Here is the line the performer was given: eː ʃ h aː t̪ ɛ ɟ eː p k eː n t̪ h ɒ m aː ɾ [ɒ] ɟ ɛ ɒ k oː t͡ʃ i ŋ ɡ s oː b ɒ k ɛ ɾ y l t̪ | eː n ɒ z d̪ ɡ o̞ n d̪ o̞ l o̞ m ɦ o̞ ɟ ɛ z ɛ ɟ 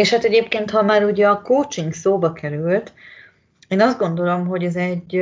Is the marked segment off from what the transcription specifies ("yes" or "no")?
yes